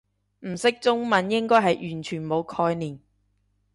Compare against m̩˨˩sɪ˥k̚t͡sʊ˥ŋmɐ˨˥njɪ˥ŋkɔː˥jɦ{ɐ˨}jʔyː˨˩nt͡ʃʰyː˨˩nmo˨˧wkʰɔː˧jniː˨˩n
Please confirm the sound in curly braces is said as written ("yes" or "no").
yes